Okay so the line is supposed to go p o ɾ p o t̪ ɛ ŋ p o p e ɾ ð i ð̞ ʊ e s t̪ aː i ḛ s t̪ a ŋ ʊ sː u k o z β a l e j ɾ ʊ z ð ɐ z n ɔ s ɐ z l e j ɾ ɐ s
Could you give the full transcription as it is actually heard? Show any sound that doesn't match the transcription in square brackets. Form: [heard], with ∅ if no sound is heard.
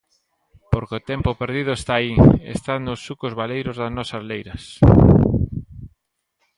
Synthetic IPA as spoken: p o ɾ [k] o t̪ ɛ [m] p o p e ɾ ð i ð̞ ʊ e s t̪ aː i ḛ s t̪ a [n] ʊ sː u k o z β a l e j ɾ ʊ z ð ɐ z n ɔ s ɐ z l e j ɾ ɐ s